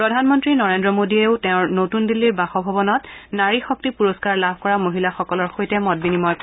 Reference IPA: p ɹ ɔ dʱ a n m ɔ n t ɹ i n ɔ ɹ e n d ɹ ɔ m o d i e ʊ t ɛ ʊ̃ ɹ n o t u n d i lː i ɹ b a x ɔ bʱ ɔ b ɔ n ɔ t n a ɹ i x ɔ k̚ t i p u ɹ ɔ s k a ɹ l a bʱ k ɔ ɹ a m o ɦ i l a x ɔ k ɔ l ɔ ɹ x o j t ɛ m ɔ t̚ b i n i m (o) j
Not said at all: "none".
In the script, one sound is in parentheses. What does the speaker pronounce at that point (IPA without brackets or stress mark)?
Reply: ɔ